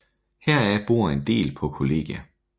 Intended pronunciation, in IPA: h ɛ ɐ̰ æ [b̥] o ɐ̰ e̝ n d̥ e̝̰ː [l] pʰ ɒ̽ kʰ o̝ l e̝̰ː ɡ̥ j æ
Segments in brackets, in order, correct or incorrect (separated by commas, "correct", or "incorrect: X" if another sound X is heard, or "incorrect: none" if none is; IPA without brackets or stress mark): correct, correct